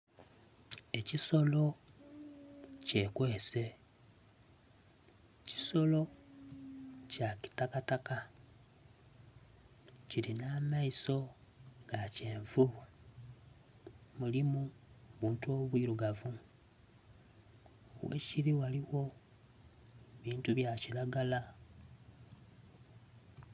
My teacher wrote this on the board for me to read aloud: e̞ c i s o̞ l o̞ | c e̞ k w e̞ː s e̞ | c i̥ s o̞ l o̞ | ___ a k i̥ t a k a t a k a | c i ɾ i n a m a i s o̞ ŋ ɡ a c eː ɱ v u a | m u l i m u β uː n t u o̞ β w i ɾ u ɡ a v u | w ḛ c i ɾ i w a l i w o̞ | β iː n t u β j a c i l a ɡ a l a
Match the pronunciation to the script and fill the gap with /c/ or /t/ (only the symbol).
c